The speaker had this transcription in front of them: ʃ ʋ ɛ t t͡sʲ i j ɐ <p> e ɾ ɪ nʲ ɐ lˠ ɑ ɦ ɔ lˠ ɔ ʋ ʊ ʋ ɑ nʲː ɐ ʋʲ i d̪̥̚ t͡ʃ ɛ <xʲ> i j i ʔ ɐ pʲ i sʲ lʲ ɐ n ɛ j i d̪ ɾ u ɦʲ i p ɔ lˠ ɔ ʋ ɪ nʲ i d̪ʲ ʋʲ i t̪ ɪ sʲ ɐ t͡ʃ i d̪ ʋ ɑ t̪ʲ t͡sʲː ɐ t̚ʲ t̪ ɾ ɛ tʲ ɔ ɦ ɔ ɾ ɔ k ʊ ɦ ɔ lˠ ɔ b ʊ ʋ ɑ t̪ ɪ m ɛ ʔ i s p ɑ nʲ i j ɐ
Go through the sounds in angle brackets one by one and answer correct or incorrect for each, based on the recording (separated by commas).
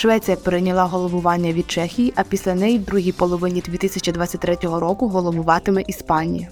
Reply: correct, correct